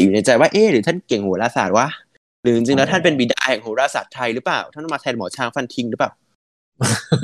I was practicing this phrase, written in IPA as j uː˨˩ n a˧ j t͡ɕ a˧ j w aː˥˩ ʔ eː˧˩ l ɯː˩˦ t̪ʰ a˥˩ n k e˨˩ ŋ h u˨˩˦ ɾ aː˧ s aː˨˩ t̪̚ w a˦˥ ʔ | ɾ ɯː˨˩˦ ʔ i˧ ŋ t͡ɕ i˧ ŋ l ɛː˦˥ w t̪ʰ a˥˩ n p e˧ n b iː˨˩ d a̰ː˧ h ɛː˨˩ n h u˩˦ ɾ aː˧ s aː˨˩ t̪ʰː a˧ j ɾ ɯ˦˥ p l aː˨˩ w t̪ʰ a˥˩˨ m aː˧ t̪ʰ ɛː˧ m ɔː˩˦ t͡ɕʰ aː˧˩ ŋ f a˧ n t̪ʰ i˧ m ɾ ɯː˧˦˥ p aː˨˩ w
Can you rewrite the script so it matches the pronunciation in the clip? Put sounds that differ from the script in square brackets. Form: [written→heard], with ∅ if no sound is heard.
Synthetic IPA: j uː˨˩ n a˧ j t͡ɕ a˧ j w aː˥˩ ʔ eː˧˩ [l→ɾ] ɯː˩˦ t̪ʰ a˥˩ n k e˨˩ ŋ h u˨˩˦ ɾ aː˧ s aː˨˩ t̪̚ w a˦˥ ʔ | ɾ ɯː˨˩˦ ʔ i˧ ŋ t͡ɕ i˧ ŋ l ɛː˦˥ w t̪ʰ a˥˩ n p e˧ n b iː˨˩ d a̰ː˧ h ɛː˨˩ [n→ŋ] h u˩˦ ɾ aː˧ s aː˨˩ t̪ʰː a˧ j ɾ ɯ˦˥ p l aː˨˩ w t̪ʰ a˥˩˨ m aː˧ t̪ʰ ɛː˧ m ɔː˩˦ t͡ɕʰ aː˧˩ ŋ f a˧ n t̪ʰ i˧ [m→ŋ] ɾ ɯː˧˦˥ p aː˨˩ w